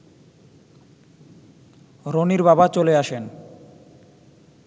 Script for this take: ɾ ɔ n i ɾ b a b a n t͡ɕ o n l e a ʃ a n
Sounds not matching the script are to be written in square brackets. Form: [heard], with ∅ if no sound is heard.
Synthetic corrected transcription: ɾ [o] n i ɾ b a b a [∅] t͡ɕ o [∅] l e a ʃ [e] n